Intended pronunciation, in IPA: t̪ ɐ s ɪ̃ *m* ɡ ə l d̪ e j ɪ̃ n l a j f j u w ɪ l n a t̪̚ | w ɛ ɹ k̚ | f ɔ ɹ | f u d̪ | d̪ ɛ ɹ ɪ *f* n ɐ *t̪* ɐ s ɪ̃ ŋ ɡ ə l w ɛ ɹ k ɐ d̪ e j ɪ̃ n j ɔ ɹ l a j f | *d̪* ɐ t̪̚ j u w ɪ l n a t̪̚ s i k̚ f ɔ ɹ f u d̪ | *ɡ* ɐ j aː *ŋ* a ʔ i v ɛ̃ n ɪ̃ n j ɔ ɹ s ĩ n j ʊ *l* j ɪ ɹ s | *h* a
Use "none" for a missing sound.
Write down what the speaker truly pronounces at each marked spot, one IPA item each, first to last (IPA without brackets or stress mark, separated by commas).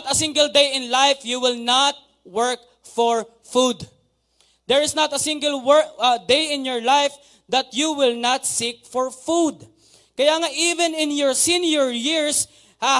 ŋ, s, t̪, d̪, k, ŋ, ɹ, h